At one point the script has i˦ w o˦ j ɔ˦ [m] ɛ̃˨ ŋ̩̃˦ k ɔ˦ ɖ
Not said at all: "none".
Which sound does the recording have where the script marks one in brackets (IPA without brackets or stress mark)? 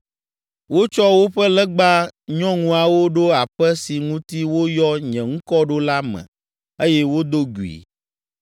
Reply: ɲ